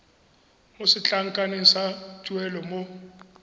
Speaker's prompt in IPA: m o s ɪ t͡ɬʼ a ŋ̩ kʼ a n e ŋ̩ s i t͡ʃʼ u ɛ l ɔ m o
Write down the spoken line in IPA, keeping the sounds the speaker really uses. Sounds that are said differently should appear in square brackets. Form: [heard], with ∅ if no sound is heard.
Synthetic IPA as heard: m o s ɪ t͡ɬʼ a ŋ̩ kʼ a n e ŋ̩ s [a] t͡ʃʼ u ɛ l ɔ m o